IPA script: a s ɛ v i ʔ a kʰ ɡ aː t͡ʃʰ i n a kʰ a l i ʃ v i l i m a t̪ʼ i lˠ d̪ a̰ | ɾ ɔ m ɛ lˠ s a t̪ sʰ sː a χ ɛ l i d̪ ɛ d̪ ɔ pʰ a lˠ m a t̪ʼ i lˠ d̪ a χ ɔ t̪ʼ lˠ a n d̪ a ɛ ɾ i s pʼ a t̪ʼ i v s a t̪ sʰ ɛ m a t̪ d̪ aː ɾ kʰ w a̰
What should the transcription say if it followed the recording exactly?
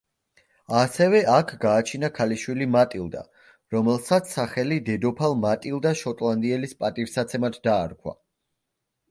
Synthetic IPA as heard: a s ɛ v ɛ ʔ a kʰ ɡ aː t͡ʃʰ i n a kʰ a l i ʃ w i l i m a t̪ʼ i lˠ d̪ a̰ | ɾ ɔ m ɛ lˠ s a t̪ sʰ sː a χ ɛ l i d̪ ɛ d̪ ɔ pʰ a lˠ m a t̪ʼ i lˠ d̪ a ʃ ɔ t̪ʼ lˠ a n d̪ i ɛ l i s pʼ a t̪ʼ i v s a t̪ sʰ ɛ m a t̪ d̪ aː ɾ kʰ w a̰